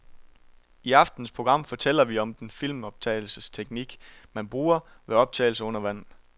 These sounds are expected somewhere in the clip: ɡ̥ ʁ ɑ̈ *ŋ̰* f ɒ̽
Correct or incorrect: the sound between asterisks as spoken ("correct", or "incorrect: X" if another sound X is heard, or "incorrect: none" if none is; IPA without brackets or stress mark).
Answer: incorrect: m̰